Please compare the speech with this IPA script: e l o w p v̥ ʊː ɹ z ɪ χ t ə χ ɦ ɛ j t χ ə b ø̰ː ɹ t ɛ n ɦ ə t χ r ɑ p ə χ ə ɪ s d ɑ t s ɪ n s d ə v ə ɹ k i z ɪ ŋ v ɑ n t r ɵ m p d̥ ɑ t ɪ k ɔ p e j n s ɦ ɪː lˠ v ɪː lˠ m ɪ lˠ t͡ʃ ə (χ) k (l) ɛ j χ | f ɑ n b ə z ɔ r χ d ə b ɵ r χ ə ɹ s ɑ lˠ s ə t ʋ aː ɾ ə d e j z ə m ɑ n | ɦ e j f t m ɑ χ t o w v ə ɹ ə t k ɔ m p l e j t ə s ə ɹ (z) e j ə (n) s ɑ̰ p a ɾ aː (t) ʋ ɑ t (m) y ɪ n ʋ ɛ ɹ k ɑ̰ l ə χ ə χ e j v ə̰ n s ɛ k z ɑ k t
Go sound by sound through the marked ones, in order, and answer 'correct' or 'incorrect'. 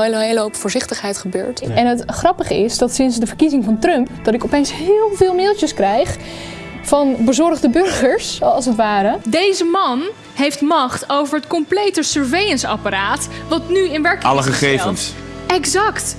incorrect, incorrect, incorrect, correct, correct, incorrect

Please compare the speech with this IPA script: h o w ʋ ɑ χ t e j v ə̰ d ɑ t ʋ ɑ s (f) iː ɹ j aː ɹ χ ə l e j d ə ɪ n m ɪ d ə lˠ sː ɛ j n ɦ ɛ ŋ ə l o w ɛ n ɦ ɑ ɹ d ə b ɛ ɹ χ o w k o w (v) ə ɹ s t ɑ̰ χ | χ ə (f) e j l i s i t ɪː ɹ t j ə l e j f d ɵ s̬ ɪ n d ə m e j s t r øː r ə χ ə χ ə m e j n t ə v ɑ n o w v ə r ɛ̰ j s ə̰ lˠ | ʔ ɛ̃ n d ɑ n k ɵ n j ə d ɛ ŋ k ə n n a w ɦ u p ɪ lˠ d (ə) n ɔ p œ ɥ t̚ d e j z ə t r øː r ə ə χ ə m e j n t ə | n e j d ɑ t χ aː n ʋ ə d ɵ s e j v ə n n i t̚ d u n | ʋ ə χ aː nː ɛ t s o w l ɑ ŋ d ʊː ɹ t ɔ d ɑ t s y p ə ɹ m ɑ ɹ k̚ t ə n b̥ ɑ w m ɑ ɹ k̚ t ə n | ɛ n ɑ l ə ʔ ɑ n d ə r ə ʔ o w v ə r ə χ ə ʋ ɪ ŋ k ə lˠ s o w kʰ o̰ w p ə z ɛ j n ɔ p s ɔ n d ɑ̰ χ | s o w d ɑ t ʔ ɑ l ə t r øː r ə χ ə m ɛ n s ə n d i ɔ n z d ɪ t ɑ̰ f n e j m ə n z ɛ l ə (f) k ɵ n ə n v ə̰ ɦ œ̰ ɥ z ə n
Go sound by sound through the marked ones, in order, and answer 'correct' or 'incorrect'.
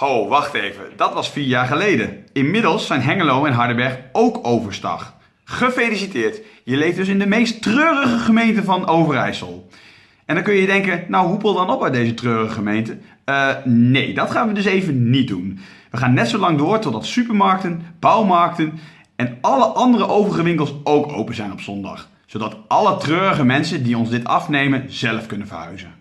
correct, correct, correct, incorrect, correct

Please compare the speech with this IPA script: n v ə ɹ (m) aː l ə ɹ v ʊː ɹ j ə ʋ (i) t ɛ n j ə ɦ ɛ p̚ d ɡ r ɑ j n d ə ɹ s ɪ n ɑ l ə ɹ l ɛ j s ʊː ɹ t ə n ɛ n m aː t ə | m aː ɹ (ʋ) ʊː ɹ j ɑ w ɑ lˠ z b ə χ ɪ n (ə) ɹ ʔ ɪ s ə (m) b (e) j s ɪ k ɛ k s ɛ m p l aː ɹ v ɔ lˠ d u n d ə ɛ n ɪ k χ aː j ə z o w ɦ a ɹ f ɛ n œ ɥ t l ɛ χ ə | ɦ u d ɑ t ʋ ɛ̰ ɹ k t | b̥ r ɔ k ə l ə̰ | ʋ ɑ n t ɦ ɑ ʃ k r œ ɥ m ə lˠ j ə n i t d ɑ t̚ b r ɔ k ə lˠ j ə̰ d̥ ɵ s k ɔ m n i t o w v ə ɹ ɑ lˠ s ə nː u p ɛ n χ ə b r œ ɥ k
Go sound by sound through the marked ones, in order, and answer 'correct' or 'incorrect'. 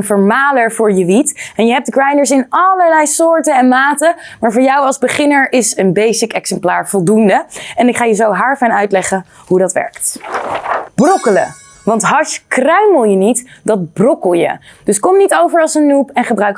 correct, correct, incorrect, correct, incorrect, correct

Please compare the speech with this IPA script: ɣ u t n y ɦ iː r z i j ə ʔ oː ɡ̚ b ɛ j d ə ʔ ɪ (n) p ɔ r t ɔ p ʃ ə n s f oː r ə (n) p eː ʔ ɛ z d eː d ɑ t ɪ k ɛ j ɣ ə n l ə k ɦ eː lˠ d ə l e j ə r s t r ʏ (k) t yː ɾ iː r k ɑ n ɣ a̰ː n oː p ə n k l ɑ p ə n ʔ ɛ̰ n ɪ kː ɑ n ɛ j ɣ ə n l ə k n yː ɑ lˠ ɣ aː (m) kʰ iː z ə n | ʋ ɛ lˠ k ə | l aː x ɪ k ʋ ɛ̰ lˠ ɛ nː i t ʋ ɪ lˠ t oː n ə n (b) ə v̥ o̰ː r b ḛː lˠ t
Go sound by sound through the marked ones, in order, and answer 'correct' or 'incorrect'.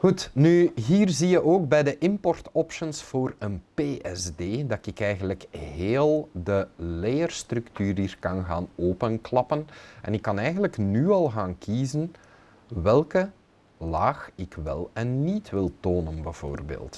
incorrect, correct, correct, incorrect, correct

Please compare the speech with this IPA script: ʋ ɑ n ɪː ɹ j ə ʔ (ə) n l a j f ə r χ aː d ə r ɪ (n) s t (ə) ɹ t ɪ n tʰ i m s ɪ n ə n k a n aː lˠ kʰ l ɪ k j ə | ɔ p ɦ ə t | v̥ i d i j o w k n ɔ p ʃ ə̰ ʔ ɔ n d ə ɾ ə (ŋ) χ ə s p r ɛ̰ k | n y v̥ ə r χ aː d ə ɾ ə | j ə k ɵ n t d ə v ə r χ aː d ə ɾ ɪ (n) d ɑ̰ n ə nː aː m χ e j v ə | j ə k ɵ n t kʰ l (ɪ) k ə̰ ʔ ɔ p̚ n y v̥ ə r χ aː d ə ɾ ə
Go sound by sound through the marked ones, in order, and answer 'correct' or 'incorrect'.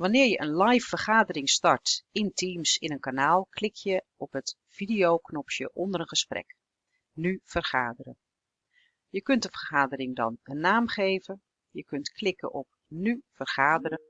correct, incorrect, incorrect, incorrect, incorrect, correct

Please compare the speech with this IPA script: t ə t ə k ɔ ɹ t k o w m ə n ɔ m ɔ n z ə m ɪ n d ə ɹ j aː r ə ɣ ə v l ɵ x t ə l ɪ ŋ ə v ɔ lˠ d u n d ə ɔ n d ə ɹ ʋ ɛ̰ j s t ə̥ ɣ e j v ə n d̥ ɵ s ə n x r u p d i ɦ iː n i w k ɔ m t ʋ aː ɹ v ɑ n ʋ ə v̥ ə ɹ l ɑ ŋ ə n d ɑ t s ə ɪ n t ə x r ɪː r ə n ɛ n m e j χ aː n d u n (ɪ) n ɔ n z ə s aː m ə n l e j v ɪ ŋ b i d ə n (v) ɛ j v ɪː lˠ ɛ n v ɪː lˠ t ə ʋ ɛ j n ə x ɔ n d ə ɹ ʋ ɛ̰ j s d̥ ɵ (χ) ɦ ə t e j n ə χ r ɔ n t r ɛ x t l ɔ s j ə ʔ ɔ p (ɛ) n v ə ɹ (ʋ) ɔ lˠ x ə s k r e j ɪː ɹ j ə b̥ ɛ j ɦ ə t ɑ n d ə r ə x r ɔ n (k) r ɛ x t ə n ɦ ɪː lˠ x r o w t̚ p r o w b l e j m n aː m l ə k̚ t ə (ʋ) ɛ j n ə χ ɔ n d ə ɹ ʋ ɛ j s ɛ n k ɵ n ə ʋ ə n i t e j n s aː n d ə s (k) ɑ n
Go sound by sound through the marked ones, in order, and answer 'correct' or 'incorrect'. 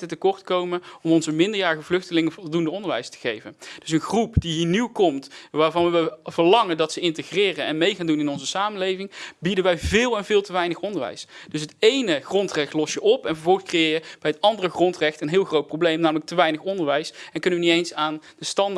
correct, incorrect, incorrect, correct, incorrect, incorrect, correct, incorrect

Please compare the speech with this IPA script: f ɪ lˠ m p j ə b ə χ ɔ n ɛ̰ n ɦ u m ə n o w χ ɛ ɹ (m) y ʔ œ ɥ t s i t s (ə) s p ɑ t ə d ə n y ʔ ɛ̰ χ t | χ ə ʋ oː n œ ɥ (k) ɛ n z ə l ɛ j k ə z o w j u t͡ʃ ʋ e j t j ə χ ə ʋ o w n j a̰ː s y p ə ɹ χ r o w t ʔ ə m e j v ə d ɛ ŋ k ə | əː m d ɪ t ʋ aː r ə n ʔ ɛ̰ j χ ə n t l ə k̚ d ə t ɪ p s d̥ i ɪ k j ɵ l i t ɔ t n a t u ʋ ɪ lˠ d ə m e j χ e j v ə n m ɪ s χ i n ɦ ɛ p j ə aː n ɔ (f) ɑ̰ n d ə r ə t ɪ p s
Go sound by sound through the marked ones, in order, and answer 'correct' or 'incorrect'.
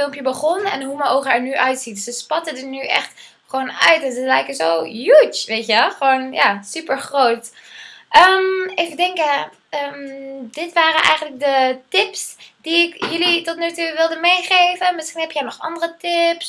incorrect, correct, incorrect, incorrect

